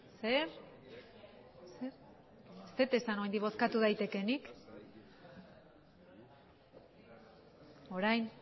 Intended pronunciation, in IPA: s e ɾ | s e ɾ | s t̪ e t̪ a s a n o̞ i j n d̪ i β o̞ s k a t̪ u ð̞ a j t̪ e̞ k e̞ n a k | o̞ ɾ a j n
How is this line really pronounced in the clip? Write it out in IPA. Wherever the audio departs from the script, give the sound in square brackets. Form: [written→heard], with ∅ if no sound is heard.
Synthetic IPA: s e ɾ | s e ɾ | s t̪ e t̪ [a→e] s a n o̞ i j n d̪ i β o̞ s k a t̪ u ð̞ a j t̪ e̞ k e̞ n [a→i] k | o̞ ɾ a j n